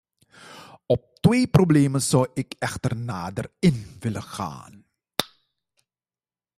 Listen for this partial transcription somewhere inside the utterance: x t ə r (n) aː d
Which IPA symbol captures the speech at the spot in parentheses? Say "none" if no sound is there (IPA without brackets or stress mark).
n